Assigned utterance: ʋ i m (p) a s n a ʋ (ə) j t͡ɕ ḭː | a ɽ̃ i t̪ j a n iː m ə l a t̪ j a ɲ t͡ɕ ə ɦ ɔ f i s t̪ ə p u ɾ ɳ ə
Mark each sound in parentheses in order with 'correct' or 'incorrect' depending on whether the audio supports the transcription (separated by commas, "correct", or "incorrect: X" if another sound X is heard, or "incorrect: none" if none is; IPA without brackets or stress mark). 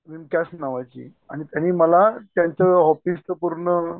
incorrect: k, incorrect: a